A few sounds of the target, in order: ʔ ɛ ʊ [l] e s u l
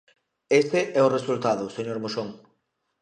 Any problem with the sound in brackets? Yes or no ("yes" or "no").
yes